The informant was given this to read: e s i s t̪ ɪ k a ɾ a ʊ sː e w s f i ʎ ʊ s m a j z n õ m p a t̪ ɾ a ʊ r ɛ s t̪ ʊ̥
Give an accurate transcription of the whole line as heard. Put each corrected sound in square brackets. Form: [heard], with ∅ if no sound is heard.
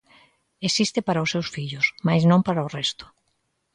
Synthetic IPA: e s i s t̪ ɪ [p] a ɾ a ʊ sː e w s f i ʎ ʊ s m a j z n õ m p a [∅] ɾ a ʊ r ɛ s t̪ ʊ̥